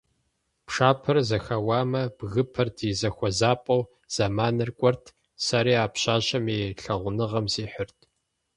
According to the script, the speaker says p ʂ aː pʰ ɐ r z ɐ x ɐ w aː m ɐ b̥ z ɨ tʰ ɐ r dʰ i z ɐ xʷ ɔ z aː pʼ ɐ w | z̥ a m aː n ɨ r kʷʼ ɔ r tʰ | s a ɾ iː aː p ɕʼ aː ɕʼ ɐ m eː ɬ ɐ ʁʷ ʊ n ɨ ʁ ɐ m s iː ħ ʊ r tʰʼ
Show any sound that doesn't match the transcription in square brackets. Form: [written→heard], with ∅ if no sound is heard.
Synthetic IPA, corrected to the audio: p ʂ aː pʰ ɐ r z ɐ x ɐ w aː m ɐ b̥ [z→ɣ] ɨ [tʰ→pʰ] ɐ r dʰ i z ɐ xʷ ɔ z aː pʼ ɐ w | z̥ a m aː n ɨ r kʷʼ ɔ r tʰ | s a ɾ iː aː p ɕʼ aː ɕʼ ɐ m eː ɬ ɐ ʁʷ ʊ n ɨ ʁ ɐ m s iː ħ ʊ r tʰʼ